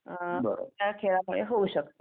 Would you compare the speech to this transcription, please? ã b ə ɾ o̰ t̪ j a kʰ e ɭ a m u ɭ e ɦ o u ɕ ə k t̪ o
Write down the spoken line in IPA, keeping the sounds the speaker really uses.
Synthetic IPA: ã b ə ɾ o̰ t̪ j a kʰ e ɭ a m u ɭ e ɦ o u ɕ ə k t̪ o